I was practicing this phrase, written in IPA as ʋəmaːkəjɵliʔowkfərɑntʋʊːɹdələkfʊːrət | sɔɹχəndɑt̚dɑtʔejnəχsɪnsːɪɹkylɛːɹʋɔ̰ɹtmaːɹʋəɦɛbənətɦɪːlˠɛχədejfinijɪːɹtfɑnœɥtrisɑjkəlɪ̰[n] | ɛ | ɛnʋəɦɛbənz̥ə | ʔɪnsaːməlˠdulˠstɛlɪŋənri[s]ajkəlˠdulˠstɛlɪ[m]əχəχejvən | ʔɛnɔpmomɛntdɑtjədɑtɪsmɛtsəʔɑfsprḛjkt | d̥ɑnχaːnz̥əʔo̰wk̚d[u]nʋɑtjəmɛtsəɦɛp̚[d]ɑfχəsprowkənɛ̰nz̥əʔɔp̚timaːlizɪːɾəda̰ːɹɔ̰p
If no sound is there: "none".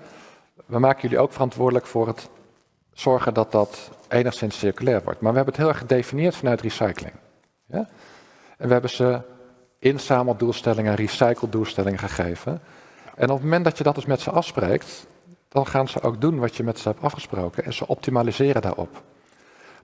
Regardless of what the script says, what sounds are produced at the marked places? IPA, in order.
ŋ, s, ŋ, u, t

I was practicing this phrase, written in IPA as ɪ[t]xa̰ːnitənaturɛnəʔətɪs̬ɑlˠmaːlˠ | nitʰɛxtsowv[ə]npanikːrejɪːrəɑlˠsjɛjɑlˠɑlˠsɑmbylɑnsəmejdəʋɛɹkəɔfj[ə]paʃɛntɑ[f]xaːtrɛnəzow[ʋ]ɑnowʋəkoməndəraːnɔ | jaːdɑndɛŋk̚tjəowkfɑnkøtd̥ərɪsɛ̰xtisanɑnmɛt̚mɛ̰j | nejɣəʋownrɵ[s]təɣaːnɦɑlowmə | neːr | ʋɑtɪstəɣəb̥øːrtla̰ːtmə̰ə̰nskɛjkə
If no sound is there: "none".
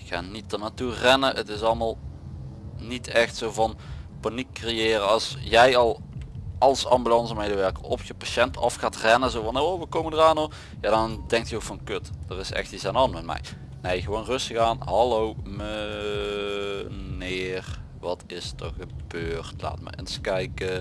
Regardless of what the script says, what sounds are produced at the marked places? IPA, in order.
k, ɑ, ə, f, v, s

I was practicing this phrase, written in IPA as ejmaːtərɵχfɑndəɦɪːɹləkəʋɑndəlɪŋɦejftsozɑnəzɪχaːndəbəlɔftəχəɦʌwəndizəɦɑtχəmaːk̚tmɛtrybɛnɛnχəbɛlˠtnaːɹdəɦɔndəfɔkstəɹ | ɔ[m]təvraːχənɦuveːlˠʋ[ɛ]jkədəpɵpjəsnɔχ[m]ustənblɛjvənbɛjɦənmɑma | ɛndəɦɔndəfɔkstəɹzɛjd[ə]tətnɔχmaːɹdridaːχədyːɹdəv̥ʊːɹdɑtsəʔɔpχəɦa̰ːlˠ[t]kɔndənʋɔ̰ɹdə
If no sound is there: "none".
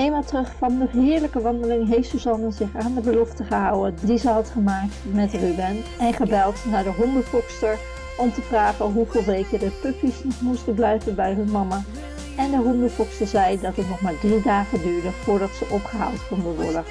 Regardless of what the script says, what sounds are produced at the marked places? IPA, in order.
m, e, m, ɑ, t

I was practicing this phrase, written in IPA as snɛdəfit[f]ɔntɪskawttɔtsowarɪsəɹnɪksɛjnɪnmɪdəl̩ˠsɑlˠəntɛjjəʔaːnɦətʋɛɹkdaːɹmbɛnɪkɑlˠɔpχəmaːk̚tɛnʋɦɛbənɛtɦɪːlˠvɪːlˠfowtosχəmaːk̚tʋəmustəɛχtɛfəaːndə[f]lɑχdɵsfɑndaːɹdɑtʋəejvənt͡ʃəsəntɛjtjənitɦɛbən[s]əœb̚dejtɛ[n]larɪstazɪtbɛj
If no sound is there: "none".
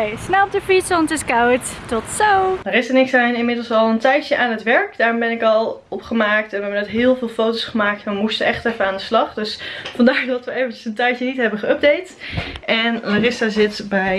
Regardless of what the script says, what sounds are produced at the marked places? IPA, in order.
s, s, χ, n

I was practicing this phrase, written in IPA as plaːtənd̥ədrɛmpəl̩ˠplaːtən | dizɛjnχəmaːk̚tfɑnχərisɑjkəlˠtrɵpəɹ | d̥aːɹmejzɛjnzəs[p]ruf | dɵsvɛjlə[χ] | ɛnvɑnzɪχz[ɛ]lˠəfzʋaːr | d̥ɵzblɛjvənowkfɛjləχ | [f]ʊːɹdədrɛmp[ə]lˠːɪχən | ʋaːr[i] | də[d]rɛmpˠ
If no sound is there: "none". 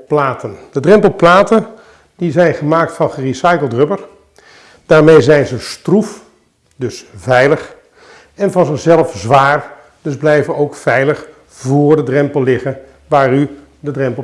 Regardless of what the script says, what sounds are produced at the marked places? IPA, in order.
t, χ, ɛ, v, ə, y, d

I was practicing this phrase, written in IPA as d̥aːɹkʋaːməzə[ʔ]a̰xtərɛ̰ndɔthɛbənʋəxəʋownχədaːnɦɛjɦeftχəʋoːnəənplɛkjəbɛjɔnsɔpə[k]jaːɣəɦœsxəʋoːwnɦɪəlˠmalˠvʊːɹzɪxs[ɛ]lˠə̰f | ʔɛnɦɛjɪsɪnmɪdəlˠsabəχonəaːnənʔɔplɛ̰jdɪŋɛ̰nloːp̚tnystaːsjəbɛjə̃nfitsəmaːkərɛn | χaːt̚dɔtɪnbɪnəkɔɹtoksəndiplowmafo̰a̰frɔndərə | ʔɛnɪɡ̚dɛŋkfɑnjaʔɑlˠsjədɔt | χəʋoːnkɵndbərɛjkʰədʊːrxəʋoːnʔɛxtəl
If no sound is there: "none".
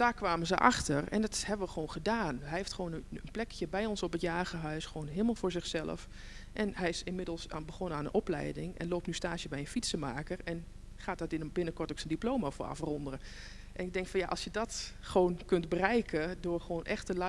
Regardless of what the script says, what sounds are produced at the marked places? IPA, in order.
ʔ, t, ɛ

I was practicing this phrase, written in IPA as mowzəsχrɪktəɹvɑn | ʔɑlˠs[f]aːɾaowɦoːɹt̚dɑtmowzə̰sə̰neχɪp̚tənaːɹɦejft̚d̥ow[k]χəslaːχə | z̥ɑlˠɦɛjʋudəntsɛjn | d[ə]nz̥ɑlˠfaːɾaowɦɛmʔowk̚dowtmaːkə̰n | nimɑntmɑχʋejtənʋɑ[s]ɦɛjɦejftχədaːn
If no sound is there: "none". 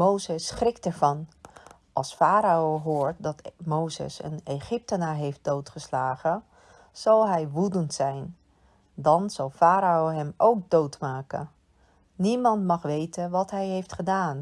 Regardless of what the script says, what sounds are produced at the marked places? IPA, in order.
f, t, ɑ, t

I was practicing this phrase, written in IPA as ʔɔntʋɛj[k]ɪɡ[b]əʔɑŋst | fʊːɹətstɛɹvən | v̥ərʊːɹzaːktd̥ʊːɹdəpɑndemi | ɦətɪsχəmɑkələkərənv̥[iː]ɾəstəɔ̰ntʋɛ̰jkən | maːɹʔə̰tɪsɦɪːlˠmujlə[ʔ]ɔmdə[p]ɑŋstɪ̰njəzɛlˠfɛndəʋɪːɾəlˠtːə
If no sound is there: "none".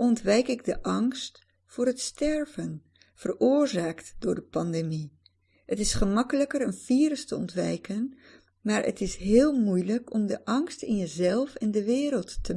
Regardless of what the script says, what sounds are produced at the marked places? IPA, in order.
k, d, iː, k, ʔ

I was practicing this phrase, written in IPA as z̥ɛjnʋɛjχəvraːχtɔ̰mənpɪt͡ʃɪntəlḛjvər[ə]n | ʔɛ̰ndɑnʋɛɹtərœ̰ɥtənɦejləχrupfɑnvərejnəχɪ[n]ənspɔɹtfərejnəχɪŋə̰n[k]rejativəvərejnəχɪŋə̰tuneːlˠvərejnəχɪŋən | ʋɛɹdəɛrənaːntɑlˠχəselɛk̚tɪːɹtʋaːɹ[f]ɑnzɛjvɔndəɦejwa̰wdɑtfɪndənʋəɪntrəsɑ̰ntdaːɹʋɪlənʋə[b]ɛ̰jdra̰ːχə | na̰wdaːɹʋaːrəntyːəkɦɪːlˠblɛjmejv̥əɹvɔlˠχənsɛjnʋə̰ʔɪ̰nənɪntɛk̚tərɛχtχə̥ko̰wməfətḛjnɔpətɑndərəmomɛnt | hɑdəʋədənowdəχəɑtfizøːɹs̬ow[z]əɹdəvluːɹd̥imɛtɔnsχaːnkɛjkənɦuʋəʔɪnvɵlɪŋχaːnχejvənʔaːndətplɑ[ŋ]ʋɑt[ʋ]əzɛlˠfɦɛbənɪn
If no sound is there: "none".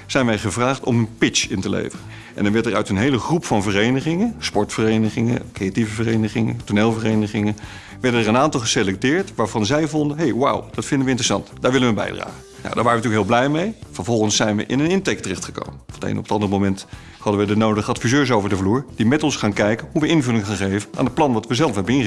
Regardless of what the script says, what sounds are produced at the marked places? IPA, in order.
ə, ŋ, k, v, b, v, n, ʋ

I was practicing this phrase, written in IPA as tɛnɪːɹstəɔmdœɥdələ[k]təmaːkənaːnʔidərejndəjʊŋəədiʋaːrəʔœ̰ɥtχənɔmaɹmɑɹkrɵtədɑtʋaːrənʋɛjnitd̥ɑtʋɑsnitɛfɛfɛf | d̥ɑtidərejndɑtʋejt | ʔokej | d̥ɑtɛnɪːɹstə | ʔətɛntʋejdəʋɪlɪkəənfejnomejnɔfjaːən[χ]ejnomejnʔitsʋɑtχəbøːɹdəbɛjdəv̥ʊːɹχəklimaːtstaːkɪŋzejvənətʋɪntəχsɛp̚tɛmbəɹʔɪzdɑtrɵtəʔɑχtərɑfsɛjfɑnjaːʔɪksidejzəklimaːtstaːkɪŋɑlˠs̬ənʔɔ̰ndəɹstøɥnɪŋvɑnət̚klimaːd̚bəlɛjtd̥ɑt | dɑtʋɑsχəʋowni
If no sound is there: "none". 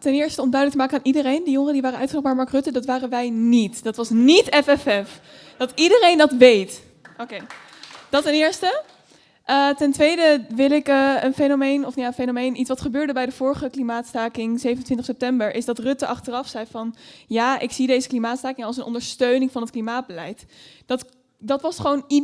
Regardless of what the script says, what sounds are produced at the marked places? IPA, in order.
k, f

